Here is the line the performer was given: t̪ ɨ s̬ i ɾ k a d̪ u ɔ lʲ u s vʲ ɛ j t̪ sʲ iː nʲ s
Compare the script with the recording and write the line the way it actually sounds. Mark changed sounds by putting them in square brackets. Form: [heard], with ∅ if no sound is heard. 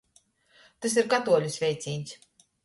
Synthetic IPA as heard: t̪ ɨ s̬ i ɾ k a [t̪] u ɔ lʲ u s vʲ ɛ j t̪ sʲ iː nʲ s